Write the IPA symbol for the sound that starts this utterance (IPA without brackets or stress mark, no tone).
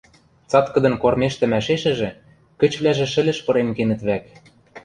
t͡s